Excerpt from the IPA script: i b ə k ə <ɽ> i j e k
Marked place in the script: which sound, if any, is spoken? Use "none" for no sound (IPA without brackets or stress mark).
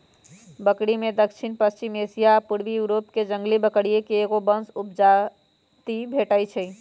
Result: ɽ